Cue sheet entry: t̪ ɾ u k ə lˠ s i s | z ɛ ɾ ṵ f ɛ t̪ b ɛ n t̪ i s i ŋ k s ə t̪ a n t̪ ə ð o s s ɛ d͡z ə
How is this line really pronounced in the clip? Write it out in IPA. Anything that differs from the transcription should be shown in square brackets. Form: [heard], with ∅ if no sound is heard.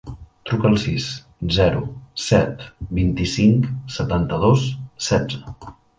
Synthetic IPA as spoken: t̪ ɾ u k ə lˠ s i s | z ɛ ɾ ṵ [s] ɛ t̪ b [i] n t̪ i s i ŋ k s ə t̪ a n t̪ ə ð o s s ɛ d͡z ə